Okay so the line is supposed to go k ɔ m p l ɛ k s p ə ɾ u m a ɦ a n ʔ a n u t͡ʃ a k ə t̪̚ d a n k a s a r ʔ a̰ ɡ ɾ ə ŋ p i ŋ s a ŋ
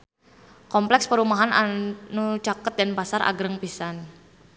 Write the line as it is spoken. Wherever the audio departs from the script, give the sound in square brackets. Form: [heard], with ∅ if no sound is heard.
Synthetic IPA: k ɔ m p l ɛ k s p ə ɾ u m a ɦ a n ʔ a n u t͡ʃ a k ə t̪̚ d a n [p] a s a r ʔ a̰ ɡ ɾ ə ŋ p i [∅] s a [n]